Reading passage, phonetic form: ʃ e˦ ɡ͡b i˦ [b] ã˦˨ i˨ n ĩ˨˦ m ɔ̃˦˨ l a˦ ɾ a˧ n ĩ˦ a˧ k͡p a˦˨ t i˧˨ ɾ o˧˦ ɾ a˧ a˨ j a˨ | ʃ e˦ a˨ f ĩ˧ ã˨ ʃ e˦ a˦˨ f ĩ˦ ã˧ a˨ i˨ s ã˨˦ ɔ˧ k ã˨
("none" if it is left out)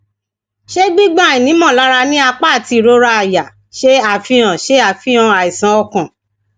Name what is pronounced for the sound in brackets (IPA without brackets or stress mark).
ɡ͡b